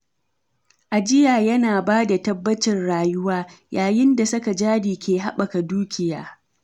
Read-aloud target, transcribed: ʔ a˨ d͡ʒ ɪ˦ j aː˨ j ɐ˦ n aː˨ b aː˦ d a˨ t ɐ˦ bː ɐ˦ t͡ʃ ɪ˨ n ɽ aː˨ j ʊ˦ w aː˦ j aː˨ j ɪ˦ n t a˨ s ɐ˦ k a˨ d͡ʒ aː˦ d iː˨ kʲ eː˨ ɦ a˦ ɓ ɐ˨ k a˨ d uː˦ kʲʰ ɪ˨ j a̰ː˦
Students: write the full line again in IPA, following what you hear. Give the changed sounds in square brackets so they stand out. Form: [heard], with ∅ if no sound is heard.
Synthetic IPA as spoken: ʔ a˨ d͡ʒ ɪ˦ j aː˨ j ɐ˦ n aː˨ b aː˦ d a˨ t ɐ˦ bː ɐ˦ t͡ʃ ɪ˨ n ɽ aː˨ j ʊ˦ w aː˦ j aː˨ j ɪ˦ n [d] a˨ s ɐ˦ k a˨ d͡ʒ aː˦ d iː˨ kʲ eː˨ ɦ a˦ ɓ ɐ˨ k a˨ d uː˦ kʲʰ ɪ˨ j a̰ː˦